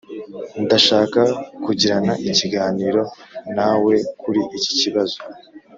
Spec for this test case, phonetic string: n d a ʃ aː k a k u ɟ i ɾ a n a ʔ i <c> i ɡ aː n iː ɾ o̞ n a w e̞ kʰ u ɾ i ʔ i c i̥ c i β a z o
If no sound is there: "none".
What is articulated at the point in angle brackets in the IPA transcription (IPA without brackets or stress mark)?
c